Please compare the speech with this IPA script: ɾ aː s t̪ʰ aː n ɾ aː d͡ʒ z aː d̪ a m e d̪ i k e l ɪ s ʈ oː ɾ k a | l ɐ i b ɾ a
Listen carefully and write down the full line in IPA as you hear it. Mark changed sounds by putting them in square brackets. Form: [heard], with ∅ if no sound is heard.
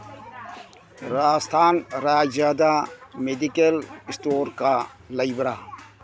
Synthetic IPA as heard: ɾ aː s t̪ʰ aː n ɾ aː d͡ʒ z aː d̪ a m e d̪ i k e l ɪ s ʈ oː ɾ k a | l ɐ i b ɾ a